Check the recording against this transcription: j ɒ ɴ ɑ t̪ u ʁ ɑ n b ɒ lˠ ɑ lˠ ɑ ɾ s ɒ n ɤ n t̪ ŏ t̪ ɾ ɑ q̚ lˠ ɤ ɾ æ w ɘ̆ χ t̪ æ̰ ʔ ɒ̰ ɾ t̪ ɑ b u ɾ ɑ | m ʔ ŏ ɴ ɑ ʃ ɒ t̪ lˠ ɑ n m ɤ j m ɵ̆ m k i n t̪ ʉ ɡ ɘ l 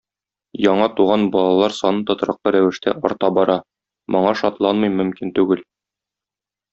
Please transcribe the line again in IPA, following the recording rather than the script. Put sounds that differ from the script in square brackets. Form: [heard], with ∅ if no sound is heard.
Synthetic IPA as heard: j ɒ ɴ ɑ t̪ u ʁ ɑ n b ɒ lˠ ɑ lˠ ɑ ɾ s ɒ n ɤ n t̪ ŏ t̪ ɾ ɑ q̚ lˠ ɤ ɾ æ w ɘ̆ [ʃ] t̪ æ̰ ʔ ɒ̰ ɾ t̪ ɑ b [ɒ] ɾ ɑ | m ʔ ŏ ɴ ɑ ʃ ɒ t̪ lˠ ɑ n m ɤ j m ɵ̆ m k i n t̪ ʉ ɡ ɘ l

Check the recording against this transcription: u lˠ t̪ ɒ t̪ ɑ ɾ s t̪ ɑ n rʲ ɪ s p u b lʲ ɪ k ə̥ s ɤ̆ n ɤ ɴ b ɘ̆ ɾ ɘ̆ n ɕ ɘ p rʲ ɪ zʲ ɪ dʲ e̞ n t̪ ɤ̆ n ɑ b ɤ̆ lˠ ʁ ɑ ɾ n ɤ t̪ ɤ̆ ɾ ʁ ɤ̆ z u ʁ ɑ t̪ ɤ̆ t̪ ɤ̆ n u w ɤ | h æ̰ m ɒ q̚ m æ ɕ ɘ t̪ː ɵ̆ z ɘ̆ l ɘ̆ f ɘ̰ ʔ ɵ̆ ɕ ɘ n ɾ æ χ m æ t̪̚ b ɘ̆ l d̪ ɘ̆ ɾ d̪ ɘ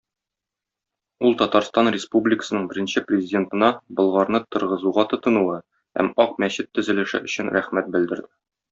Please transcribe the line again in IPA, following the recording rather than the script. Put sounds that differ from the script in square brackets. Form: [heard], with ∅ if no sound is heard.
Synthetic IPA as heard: u lˠ t̪ ɒ t̪ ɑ ɾ s t̪ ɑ n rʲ ɪ s p u b lʲ ɪ k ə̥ s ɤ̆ n ɤ ɴ b ɘ̆ ɾ ɘ̆ n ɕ ɘ p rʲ ɪ zʲ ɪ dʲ e̞ n t̪ ɤ̆ n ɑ b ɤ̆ lˠ ʁ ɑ ɾ n ɤ t̪ ɤ̆ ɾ ʁ ɤ̆ z u ʁ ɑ t̪ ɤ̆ t̪ ɤ̆ n u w ɤ | h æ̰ m ɒ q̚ m æ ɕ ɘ t̪ː ɵ̆ z ɘ̆ l ɘ̆ [ʃ] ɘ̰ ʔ ɵ̆ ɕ ɘ n ɾ æ χ m æ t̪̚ b ɘ̆ l d̪ ɘ̆ ɾ d̪ ɘ

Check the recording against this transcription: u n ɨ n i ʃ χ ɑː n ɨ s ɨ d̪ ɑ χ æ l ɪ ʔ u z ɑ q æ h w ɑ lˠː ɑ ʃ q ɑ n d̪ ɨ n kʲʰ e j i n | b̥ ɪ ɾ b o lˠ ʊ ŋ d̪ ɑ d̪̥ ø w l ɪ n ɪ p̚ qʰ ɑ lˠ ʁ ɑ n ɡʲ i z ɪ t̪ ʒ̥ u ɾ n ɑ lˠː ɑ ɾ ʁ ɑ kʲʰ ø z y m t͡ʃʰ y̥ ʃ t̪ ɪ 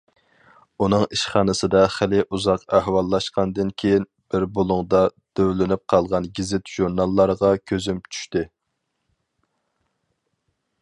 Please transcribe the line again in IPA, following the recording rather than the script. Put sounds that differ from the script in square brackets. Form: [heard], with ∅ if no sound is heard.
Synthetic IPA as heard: u n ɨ [ŋ] i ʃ χ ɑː n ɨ s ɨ d̪ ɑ χ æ l ɪ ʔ u z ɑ q æ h w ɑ lˠː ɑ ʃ q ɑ n d̪ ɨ n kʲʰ e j i n | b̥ ɪ ɾ b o lˠ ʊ ŋ d̪ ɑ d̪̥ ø w l ɪ n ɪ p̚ qʰ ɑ lˠ ʁ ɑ n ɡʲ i z ɪ t̪ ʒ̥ u ɾ n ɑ lˠː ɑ ɾ ʁ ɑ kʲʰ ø z y m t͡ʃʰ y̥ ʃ t̪ ɪ

